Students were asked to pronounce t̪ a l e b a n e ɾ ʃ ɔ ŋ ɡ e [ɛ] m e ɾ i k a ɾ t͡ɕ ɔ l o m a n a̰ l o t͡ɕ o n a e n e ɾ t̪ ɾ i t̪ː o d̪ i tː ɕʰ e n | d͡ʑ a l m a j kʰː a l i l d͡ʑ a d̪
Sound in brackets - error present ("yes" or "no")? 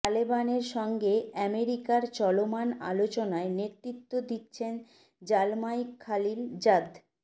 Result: no